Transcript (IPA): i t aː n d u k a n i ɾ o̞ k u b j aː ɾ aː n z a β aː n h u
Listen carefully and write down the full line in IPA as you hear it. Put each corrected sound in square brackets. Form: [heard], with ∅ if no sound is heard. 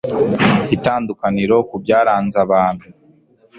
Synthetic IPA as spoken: i t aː n d u k a n i ɾ o̞ k u b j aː ɾ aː n z a β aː n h u